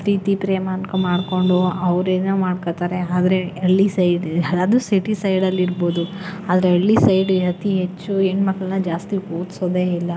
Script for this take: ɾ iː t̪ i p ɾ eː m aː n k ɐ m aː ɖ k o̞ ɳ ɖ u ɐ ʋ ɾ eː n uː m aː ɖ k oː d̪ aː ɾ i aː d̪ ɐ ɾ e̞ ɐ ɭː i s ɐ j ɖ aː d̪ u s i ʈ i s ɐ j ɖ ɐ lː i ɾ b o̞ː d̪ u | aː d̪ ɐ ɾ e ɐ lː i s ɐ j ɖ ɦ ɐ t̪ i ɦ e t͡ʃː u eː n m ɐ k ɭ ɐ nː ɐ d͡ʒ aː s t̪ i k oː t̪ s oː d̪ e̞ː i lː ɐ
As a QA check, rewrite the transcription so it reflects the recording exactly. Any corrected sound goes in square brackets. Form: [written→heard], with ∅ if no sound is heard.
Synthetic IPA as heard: ɾ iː t̪ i p ɾ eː m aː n k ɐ m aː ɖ k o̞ ɳ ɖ u ɐ ʋ ɾ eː n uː m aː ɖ k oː [d̪→t̪] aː ɾ [i→e] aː d̪ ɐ ɾ e̞ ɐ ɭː i s ɐ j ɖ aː d̪ u s i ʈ i s ɐ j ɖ ɐ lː i ɾ b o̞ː d̪ u | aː d̪ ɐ ɾ e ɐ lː i s ɐ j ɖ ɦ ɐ t̪ i ɦ e t͡ʃː u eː n m ɐ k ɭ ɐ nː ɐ d͡ʒ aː s t̪ i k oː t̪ s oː d̪ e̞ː i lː ɐ

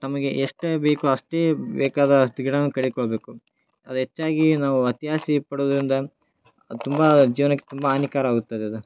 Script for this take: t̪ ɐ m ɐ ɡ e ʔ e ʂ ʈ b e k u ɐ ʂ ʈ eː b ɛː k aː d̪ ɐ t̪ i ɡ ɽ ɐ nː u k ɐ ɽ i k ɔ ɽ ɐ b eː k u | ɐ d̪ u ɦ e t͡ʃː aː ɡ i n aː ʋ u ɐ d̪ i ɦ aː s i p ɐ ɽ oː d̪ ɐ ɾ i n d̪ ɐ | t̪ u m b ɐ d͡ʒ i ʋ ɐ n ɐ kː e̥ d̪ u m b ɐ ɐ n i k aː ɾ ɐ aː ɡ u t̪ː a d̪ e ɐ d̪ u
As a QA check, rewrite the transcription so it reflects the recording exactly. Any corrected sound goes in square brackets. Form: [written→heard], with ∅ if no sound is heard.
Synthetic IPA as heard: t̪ ɐ m ɐ ɡ e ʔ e ʂ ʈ b e k u ɐ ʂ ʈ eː b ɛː k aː d̪ ɐ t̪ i ɡ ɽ ɐ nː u k ɐ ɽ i k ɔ [ɽ→ɭ] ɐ b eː k u | ɐ d̪ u ɦ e t͡ʃː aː ɡ i n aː ʋ u ɐ [d̪→t̪] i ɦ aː s i p ɐ ɽ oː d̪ ɐ ɾ i n d̪ ɐ | t̪ u m b ɐ d͡ʒ [i→iː] ʋ ɐ n ɐ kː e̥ [d̪→t̪] u m b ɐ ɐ n i k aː ɾ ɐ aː ɡ u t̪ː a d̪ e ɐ d̪ u

